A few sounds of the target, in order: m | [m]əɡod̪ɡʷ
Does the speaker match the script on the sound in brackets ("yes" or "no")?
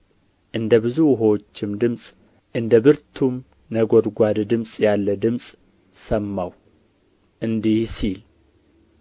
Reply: no